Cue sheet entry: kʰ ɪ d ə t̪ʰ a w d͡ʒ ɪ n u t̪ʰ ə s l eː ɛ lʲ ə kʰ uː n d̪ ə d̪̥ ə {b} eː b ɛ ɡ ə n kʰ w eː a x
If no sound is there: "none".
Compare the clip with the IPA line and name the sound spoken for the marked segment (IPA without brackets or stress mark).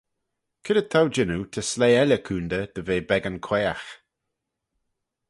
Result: v